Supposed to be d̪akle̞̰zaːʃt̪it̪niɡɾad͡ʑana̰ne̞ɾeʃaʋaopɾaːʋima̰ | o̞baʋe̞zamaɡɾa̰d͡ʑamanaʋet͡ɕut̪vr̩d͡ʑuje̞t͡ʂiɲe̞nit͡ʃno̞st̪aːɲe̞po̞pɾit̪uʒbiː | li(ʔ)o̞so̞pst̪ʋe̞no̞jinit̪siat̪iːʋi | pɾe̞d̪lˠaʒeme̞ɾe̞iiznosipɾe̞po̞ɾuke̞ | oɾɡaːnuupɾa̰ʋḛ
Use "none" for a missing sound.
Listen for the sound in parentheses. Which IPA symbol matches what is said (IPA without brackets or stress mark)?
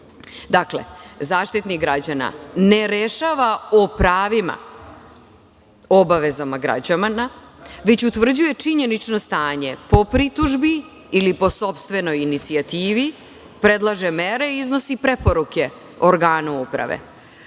p